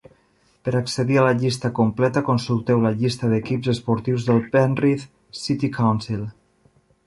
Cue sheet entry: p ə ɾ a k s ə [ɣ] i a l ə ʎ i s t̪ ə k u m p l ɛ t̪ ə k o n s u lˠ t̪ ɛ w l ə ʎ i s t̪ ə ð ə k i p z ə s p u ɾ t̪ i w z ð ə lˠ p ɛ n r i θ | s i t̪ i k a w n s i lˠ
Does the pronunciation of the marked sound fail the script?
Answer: yes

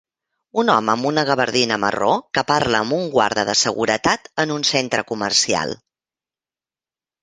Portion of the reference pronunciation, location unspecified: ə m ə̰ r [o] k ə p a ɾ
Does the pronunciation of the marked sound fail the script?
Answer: no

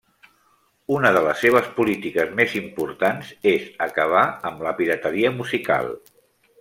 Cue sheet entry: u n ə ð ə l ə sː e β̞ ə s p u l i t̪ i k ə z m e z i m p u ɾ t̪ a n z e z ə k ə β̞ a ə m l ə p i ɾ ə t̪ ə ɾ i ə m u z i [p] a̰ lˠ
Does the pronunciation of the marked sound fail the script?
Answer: yes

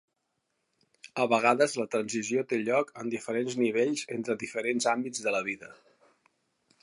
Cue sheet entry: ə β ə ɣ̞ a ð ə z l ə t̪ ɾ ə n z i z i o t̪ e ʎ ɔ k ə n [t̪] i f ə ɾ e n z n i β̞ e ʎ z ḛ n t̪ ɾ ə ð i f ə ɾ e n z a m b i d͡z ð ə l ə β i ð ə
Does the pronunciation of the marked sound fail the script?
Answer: yes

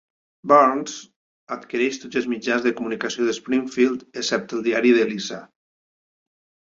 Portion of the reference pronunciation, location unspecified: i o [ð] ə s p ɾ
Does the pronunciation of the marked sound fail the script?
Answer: no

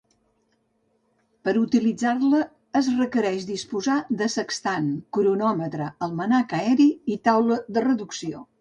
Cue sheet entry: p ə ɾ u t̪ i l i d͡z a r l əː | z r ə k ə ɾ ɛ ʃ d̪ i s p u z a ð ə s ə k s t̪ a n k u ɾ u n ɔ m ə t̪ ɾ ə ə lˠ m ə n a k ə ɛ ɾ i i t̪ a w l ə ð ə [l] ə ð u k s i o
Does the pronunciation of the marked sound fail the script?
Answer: yes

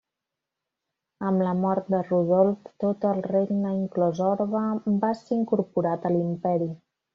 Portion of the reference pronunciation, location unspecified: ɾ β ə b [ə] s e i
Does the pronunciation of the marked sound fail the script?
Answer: yes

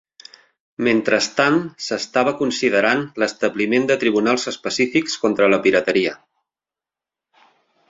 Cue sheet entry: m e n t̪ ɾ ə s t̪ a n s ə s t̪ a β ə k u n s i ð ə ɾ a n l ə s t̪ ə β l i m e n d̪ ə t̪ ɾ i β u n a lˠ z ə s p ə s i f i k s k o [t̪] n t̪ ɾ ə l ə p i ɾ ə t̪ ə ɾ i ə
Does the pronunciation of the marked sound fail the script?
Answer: yes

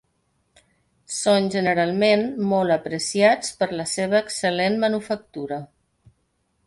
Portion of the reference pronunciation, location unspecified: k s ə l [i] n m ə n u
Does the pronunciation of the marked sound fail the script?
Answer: yes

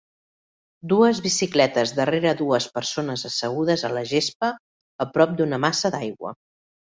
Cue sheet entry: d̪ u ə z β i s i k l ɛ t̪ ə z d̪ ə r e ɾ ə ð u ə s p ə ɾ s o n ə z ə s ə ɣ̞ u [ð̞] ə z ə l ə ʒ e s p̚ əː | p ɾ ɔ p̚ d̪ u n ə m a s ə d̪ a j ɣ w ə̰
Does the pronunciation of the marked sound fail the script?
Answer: no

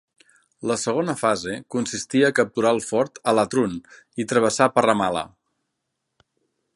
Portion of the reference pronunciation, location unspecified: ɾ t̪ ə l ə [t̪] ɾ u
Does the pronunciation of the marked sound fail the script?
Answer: no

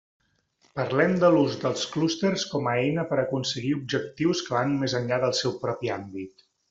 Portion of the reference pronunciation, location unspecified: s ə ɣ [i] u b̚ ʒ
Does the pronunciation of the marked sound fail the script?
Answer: no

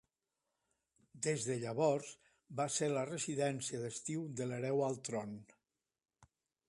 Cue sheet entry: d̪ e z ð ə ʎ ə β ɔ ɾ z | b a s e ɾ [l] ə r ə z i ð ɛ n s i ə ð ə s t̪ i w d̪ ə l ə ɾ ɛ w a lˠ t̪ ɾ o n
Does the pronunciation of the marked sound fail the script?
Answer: no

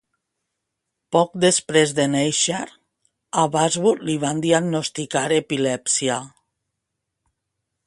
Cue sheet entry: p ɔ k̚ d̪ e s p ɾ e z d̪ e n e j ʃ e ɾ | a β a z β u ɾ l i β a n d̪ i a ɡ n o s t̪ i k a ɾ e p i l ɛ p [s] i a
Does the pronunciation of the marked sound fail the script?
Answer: no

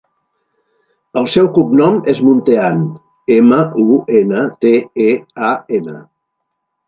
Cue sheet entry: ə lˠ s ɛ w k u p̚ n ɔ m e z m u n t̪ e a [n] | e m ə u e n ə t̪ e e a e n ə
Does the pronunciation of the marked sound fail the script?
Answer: no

